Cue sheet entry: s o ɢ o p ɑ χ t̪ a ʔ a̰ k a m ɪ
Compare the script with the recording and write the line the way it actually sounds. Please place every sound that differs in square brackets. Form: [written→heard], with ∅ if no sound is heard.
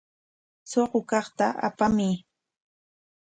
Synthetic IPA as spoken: s o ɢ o [p→k] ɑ χ t̪ a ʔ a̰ [k→p] a m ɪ